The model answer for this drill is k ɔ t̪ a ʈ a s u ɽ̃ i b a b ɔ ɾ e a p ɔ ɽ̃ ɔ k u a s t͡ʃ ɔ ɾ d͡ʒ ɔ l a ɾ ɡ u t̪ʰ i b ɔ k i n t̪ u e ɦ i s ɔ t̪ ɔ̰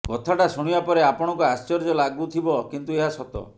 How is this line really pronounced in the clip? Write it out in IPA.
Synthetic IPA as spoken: k ɔ t̪ʰ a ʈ a s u ɽ̃ i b a p ɔ ɾ e a p ɔ ɽ̃ ɔ k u a s t͡ʃ ɔ ɾ d͡ʒ ɔ l a ɡ u t̪ʰ i b ɔ k i n t̪ u e ɦ a s ɔ t̪ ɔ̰